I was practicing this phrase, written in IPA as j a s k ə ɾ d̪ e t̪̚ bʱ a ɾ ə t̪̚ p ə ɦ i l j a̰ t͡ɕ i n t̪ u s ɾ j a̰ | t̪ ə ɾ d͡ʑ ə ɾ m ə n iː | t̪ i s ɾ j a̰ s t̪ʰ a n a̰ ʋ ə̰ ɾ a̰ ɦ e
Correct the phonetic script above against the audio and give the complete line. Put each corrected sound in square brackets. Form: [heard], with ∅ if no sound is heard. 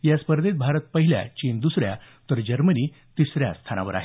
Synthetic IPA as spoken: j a s [p] ə ɾ d̪ e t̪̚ bʱ a ɾ ə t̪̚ p ə ɦ i l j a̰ t͡ɕ i n [d̪] u s ɾ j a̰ | t̪ ə ɾ d͡ʑ ə ɾ m ə n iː | t̪ i s ɾ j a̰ s t̪ʰ a n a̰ ʋ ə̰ ɾ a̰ ɦ e

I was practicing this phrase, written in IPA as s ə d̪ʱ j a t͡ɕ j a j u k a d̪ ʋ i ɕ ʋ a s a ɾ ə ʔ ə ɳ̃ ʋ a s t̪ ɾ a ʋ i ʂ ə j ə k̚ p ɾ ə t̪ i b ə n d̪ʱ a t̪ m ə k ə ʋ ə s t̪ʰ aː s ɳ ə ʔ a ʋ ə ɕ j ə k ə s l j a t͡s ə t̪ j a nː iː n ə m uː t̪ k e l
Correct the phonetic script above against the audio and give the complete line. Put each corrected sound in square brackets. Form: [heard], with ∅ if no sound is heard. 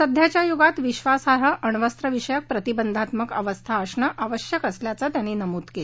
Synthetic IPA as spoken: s ə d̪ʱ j a t͡ɕ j a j u [ɡ] a [t̪] ʋ i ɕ ʋ a s a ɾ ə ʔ ə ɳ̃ ʋ [ə] s t̪ ɾ [ə] ʋ i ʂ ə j ə k̚ p ɾ ə t̪ i b ə n d̪ʱ a t̪ m ə k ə ʋ ə s t̪ʰ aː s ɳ ə ʔ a ʋ ə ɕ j ə k ə s l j a t͡s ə t̪ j a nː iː n ə m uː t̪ k e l

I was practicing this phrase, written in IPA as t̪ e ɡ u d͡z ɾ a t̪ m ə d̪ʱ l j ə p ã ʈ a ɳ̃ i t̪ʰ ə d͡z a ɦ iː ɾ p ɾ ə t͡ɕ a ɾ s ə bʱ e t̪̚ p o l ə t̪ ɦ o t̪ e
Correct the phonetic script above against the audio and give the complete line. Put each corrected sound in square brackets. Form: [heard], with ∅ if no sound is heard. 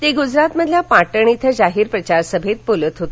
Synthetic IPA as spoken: t̪ e ɡ u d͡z ɾ a t̪ m ə d̪ʱ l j [a] p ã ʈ [ə] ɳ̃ i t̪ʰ ə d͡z a ɦ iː ɾ p ɾ ə t͡ɕ a ɾ s ə bʱ e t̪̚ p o l ə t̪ ɦ o t̪ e

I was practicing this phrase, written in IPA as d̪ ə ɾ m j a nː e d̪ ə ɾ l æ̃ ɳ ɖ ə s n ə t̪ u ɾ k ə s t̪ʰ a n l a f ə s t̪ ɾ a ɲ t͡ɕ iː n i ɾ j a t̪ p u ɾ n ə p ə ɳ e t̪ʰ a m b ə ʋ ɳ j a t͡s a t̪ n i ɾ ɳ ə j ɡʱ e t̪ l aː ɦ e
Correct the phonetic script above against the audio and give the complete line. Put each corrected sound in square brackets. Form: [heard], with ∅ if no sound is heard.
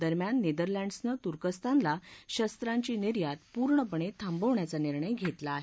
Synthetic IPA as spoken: d̪ ə ɾ m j a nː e d̪ ə ɾ l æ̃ ɳ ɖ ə s n ə t̪ u ɾ k ə s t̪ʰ a n l a [ɕ] ə s t̪ ɾ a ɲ t͡ɕ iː n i ɾ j a t̪ p u ɾ [ɳ] ə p ə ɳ e t̪ʰ a m b ə ʋ ɳ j a t͡s a [∅] n i ɾ ɳ ə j ɡʱ e t̪ l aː ɦ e

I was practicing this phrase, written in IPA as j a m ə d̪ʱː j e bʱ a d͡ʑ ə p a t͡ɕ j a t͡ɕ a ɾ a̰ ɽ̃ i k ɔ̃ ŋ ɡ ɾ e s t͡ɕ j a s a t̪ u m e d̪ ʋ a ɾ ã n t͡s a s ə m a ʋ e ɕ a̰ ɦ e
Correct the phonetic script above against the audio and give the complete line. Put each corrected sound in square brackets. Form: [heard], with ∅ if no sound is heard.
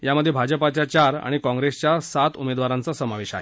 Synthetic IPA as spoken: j a m ə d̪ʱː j e bʱ a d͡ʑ ə p a t͡ɕ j a t͡ɕ a ɾ a̰ ɽ̃ i k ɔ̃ ŋ ɡ ɾ e s t͡ɕ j a s a t̪ u m e d̪ ʋ a ɾ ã n t͡s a s ə m a ʋ e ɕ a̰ ɦ e

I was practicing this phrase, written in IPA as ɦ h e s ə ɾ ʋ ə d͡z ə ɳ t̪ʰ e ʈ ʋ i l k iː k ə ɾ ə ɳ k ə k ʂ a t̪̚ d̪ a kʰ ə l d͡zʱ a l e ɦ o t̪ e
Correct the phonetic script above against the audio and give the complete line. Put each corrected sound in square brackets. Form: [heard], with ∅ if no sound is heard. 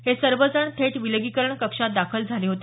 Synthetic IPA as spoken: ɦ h e s ə ɾ ʋ ə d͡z ə ɳ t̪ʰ e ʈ ʋ i l [ɡ] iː k ə ɾ ə ɳ k ə k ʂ a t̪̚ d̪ a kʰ ə l d͡zʱ a l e ɦ o t̪ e

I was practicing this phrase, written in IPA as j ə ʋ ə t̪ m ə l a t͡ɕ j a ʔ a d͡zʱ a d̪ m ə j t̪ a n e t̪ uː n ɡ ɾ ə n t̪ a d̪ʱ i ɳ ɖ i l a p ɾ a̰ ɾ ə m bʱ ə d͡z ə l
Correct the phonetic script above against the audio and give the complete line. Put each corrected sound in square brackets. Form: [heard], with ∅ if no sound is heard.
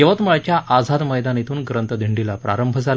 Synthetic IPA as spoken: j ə ʋ ə t̪ m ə [ɭ] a t͡ɕ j a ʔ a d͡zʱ a d̪ m ə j [d̪] a n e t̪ uː n ɡ ɾ ə n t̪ [ə] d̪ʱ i ɳ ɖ i l a p ɾ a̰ ɾ ə m bʱ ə d͡z [a] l

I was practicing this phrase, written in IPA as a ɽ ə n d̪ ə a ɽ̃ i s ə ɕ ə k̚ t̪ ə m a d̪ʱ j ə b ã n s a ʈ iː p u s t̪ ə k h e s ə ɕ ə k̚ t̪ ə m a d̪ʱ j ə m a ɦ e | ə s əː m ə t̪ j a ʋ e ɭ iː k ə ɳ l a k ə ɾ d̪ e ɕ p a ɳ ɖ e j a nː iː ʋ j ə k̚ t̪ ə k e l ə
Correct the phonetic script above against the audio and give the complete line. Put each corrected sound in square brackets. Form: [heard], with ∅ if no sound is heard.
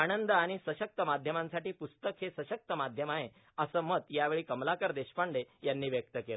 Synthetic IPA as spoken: a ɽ ə n d̪ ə a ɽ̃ i s ə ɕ ə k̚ t̪ ə m a d̪ʱ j ə [m] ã n s a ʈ iː p u s t̪ ə k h e s ə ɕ ə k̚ t̪ ə m a d̪ʱ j ə m a ɦ e | ə s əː m ə t̪ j a ʋ e ɭ iː k ə [m] l a k ə ɾ d̪ e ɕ p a ɳ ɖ e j a nː iː ʋ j ə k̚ t̪ ə k e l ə

